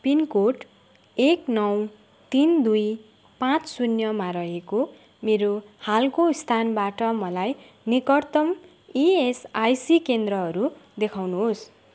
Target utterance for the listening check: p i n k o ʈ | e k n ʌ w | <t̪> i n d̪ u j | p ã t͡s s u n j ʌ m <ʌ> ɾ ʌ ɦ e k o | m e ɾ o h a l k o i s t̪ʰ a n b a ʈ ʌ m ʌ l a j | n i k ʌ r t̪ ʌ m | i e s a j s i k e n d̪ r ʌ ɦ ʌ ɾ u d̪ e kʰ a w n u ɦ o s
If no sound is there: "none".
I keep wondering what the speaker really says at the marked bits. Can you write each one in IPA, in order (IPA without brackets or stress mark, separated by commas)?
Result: t̪, a